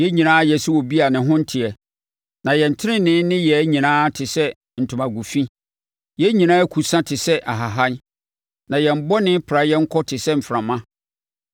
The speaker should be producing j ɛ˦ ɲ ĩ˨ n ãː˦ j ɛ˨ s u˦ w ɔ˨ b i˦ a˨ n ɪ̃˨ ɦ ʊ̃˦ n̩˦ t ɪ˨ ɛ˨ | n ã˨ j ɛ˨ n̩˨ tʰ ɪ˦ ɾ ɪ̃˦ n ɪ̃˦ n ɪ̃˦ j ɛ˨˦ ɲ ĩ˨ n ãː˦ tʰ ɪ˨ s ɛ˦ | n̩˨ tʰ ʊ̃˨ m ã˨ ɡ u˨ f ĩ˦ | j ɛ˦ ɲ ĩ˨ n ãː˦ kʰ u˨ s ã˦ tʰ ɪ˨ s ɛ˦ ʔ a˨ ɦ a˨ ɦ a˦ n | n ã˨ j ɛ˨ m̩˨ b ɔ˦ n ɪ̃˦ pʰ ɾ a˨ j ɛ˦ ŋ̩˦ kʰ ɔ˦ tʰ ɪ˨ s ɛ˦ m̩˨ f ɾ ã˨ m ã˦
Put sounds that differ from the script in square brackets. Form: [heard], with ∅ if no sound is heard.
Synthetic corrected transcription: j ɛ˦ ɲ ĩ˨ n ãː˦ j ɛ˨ s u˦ w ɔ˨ b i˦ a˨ n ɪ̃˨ ɦ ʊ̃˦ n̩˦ [tʰ] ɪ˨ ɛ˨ | n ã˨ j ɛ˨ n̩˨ tʰ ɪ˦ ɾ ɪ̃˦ n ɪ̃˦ n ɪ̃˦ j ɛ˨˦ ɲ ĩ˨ n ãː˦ tʰ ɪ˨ s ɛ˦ | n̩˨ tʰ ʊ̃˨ m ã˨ ɡ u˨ f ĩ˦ | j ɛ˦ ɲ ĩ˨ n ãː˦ kʰ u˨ s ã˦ tʰ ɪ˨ s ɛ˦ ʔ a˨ ɦ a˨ ɦ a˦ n | n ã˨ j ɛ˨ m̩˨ b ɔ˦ n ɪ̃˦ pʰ ɾ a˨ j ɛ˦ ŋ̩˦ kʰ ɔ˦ tʰ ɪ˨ s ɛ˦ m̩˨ f ɾ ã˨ m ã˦

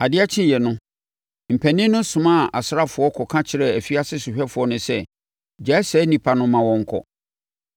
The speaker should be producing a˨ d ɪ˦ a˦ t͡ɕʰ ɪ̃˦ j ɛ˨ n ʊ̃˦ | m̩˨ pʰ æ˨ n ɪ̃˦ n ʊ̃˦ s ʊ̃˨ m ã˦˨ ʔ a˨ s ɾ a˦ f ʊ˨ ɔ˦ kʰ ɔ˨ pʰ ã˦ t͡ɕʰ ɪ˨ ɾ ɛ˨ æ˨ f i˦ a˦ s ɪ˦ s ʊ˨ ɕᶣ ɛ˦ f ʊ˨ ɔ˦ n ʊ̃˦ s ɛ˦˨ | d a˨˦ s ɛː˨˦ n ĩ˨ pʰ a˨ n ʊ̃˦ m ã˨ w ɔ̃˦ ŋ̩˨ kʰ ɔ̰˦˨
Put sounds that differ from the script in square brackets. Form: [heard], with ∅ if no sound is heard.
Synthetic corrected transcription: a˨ d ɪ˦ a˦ t͡ɕʰ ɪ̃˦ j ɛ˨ n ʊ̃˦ | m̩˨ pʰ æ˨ n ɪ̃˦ n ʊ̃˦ s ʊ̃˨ m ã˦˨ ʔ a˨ s ɾ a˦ f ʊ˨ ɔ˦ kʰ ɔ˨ [kʰ] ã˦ t͡ɕʰ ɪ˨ ɾ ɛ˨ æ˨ f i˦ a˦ s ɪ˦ s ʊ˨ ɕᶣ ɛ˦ f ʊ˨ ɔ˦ n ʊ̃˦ s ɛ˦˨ | [d͡ʑ] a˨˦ s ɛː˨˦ n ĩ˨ pʰ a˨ n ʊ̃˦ m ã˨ w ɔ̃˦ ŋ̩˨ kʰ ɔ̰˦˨

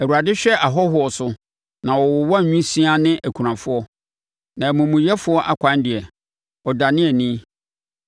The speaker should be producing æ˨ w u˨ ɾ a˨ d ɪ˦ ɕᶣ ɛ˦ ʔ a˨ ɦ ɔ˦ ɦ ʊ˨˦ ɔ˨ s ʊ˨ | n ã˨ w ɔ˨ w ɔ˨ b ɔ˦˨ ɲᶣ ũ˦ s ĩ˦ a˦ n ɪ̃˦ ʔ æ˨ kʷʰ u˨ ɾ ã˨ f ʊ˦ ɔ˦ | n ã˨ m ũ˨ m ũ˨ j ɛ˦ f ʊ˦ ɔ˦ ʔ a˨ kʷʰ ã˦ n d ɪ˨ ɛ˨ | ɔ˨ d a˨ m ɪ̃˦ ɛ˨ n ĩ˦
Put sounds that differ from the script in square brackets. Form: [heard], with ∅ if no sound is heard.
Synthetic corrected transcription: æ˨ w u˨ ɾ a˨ d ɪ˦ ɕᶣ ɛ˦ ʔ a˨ ɦ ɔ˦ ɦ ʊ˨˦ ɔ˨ s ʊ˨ | n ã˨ w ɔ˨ w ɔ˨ [w] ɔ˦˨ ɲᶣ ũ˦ s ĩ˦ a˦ n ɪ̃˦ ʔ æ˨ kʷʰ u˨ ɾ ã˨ f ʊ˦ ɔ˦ | n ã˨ m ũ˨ m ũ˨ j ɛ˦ f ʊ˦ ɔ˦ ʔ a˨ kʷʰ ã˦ n d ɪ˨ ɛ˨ | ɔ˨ d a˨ [n] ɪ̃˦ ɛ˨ n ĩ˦

